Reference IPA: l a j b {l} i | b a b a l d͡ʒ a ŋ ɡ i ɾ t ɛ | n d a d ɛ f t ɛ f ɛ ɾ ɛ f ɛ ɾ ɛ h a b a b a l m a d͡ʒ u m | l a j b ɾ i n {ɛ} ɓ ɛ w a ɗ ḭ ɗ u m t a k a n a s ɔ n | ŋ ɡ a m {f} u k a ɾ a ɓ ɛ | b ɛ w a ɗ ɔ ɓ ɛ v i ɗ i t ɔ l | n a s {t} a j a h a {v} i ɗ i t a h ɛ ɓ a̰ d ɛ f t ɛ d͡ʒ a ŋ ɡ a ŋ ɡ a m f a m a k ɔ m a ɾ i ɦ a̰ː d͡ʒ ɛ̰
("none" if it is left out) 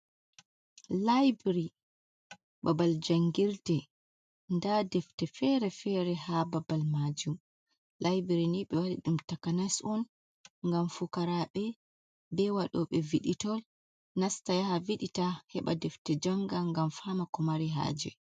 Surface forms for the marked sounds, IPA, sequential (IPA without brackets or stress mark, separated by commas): ɾ, i, f, t, v